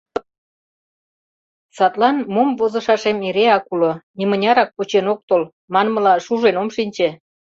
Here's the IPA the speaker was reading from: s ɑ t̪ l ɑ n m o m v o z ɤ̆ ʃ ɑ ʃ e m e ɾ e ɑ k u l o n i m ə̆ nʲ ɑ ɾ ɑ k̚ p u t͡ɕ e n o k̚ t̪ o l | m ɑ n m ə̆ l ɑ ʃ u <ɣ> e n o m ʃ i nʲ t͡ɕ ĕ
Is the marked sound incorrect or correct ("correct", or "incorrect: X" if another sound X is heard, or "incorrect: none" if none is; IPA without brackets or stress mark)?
incorrect: ʒ